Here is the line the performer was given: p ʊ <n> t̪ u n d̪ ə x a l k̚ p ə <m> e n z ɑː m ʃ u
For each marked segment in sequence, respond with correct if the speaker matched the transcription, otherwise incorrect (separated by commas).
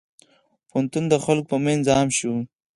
correct, correct